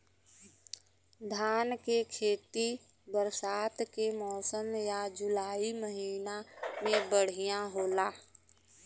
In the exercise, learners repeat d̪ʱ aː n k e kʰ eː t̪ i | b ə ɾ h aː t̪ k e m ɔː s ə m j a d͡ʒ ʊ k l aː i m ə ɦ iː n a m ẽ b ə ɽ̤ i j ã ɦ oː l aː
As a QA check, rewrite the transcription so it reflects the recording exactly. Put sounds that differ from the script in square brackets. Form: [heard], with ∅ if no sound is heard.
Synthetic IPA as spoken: d̪ʱ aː n k e kʰ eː t̪ i | b ə ɾ [s] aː t̪ k e m ɔː s ə m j a d͡ʒ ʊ [∅] l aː i m ə ɦ iː n a m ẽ b ə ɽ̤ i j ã ɦ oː l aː